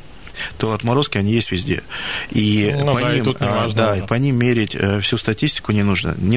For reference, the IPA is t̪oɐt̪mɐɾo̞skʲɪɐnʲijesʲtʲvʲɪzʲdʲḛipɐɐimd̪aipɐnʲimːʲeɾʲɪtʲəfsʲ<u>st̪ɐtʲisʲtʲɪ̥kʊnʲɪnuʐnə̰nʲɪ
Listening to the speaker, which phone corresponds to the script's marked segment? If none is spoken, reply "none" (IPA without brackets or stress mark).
u